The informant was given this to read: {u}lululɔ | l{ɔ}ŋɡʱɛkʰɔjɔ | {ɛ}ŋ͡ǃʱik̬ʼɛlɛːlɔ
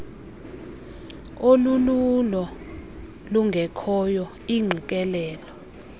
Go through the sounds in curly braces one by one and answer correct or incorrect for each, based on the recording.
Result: incorrect: o, incorrect: u, incorrect: i

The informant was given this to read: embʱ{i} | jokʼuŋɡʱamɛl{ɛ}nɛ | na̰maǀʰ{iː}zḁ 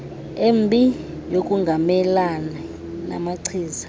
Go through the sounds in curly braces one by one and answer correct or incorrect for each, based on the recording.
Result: correct, incorrect: a, correct

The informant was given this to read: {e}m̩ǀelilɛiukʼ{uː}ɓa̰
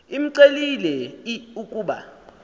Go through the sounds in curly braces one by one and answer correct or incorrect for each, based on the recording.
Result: incorrect: i, correct

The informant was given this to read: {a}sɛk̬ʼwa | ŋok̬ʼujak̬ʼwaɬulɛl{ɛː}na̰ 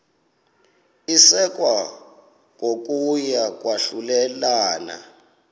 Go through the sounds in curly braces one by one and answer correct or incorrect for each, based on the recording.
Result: incorrect: i, incorrect: aː

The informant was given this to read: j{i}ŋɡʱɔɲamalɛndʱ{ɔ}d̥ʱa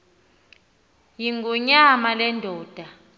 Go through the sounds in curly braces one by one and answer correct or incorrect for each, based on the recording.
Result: correct, incorrect: ɔː

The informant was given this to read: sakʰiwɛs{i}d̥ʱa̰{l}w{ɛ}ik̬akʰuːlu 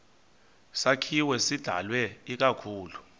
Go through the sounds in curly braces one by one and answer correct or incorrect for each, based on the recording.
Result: correct, correct, correct

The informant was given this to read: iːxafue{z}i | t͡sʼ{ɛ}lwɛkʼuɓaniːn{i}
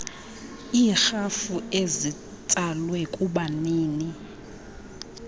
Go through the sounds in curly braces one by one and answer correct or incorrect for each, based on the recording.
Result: correct, incorrect: a, correct

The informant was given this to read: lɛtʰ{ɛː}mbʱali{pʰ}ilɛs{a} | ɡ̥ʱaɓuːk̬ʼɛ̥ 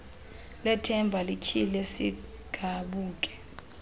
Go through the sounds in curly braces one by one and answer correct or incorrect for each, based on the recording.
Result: incorrect: ɛ, incorrect: kʰ, incorrect: i

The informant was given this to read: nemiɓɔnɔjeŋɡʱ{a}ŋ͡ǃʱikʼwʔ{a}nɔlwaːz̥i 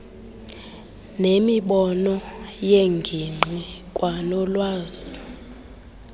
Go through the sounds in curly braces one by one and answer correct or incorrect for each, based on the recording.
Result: incorrect: i, correct

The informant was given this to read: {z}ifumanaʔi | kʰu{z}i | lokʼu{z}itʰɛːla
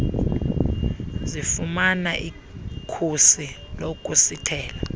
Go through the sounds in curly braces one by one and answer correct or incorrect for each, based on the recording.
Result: correct, incorrect: s, incorrect: s

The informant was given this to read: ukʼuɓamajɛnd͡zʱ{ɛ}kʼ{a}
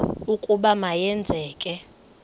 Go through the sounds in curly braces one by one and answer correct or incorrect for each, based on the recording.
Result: incorrect: ɛː, incorrect: ɛ

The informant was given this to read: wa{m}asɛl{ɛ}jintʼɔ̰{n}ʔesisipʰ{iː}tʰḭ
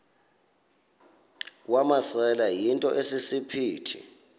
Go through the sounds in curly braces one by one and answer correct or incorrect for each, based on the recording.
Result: correct, incorrect: a, incorrect: none, correct

